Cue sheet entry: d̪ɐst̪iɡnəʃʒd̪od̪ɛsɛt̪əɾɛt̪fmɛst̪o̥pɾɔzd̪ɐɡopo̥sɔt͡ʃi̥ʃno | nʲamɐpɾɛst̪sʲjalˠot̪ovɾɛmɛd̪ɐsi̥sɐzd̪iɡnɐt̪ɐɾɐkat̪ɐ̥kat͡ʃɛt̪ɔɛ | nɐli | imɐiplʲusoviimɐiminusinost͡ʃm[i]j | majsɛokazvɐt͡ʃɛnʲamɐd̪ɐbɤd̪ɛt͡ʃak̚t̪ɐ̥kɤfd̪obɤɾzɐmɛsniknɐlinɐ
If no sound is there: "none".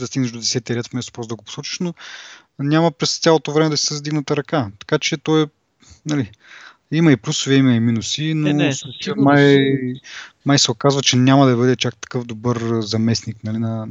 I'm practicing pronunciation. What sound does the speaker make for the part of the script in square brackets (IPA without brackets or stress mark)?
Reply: a